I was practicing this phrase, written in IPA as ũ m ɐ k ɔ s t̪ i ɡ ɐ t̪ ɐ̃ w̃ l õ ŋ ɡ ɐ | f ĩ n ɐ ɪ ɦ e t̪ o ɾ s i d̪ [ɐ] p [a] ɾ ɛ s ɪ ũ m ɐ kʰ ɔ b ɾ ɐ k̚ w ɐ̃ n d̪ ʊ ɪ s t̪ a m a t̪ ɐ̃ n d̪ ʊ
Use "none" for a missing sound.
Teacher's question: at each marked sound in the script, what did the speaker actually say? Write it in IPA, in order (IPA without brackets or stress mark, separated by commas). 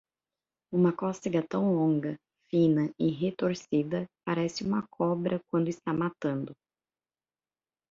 ɐ, a